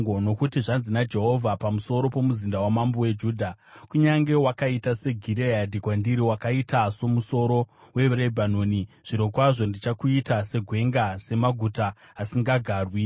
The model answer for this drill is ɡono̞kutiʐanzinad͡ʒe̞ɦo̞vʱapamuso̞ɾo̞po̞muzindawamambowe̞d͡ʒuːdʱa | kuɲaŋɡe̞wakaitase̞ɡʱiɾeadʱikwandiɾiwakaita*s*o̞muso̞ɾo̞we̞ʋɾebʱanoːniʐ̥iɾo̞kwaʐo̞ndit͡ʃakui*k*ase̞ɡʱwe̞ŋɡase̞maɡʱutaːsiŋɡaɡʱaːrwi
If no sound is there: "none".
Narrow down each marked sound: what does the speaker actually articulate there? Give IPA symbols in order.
s, t

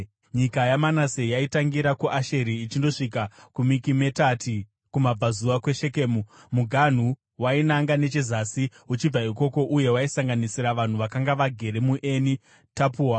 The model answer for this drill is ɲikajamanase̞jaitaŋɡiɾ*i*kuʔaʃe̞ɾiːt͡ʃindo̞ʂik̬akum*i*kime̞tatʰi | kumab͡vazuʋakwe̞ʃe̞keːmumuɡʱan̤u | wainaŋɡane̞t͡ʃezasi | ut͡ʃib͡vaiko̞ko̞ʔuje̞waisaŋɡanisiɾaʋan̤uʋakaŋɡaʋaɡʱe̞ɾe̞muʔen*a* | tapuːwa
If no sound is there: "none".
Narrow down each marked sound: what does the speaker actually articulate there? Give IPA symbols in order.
a, i, i

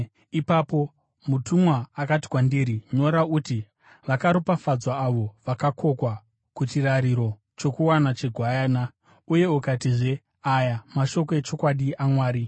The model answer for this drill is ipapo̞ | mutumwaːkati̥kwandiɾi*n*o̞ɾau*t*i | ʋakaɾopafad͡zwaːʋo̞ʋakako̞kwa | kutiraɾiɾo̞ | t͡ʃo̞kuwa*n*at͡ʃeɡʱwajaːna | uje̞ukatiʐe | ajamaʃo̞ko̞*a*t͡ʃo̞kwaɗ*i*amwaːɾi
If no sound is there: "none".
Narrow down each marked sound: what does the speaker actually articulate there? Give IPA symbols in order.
ɲ, t, n, e, i

